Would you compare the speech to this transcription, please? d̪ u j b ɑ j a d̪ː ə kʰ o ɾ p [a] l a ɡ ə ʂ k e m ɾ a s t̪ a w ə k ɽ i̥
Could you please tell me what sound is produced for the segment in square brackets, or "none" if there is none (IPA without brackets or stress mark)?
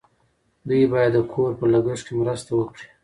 ə